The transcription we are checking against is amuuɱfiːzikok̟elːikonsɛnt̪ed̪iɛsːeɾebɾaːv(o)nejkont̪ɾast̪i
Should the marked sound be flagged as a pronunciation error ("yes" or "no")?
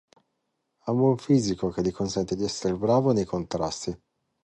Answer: no